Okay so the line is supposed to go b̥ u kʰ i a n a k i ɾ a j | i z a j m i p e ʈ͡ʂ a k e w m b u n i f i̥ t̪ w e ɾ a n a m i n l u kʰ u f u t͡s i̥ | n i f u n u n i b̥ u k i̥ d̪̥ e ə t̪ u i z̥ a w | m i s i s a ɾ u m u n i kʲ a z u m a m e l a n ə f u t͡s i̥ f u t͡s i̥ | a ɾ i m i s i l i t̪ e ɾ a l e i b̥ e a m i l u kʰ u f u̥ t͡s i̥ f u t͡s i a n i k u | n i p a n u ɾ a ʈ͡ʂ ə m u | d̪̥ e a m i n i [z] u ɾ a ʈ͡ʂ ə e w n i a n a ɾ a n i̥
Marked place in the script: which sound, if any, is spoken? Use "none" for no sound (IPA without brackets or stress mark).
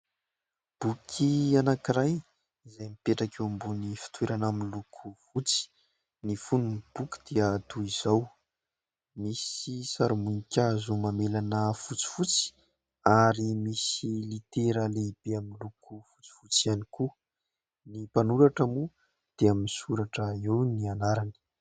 s